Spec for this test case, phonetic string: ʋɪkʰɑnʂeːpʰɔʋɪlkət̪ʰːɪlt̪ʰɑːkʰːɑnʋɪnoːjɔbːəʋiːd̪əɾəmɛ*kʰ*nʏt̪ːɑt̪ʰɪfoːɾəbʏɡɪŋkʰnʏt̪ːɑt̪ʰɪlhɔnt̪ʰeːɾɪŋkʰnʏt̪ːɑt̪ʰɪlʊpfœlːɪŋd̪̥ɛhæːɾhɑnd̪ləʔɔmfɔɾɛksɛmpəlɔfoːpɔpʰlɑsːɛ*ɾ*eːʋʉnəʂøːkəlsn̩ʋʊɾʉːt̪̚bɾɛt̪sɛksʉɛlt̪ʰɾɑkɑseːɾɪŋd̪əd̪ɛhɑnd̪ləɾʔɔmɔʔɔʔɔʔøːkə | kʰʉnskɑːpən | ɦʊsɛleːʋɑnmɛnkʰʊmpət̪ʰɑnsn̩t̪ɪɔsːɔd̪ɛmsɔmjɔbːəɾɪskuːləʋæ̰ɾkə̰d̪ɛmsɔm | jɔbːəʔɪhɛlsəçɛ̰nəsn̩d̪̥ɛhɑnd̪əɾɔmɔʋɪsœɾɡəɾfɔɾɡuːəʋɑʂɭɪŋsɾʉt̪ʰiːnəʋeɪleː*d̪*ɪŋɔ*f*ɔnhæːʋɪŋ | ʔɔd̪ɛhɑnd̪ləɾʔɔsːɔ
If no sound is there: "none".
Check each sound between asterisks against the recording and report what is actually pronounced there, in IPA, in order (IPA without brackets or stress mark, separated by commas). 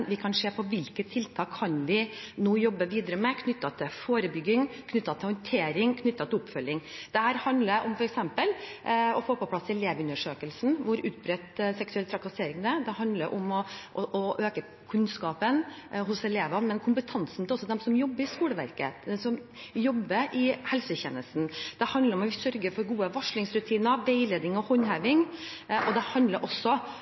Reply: kʰ, l, d̪, h